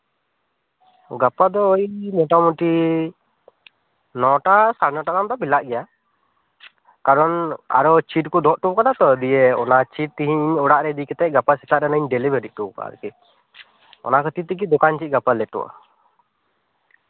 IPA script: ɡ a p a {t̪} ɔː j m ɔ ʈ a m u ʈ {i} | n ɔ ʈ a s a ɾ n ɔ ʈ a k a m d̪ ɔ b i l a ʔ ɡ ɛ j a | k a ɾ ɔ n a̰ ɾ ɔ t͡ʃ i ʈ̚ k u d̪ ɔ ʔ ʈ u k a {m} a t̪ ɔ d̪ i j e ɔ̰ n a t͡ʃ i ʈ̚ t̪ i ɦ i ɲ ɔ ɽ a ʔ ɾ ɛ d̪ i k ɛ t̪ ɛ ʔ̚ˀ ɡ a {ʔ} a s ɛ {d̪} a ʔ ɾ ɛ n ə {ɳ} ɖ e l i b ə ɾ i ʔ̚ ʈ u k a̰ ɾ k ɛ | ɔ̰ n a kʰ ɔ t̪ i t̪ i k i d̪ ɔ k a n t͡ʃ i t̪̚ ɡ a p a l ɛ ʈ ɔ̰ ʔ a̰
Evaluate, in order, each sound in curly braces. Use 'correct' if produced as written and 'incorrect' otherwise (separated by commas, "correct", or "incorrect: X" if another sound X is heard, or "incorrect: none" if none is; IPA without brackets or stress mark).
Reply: incorrect: d̪, correct, incorrect: n, incorrect: p, incorrect: t̪, incorrect: ɲ